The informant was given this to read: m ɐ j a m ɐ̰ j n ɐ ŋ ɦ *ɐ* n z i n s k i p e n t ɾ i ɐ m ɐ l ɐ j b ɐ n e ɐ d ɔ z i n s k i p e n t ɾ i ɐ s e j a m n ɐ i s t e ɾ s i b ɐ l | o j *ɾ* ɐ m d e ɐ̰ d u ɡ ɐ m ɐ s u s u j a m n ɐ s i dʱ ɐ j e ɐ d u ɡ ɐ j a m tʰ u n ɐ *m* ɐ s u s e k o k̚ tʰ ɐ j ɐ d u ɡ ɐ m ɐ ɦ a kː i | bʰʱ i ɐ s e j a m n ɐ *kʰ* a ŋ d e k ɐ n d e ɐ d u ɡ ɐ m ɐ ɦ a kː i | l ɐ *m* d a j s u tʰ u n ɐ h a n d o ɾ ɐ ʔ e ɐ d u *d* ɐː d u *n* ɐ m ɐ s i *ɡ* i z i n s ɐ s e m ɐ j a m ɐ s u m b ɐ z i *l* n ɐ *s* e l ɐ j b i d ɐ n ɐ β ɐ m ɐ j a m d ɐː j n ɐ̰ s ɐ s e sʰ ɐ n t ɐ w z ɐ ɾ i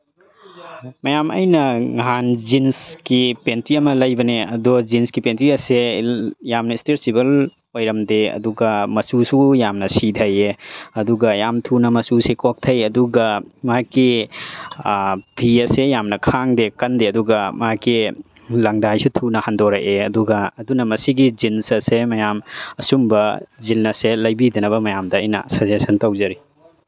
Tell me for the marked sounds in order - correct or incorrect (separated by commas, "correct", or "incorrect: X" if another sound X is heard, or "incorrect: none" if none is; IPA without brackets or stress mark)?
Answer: incorrect: a, correct, correct, correct, incorrect: ŋ, incorrect: ɡ, correct, correct, correct, correct